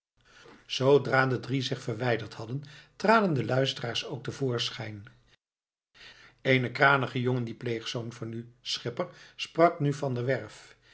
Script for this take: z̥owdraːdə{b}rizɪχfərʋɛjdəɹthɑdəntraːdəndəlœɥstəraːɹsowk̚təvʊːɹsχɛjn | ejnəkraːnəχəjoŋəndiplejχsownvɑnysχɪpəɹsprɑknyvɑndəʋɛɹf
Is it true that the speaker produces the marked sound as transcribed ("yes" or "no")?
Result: no